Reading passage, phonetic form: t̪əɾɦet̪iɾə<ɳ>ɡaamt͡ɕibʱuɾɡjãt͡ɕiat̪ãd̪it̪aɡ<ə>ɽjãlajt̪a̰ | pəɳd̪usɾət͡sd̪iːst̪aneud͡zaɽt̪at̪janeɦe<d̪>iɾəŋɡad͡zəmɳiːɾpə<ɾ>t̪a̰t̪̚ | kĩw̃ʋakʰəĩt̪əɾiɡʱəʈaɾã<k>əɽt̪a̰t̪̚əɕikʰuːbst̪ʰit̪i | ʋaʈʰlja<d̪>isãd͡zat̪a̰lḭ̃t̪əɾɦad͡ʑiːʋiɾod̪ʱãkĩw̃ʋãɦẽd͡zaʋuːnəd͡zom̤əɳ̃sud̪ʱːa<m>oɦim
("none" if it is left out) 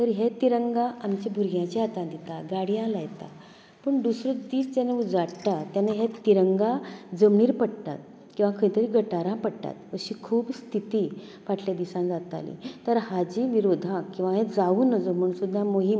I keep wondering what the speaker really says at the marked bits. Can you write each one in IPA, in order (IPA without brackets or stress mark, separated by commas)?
ŋ, a, t̪, ɽ, p, d̪, m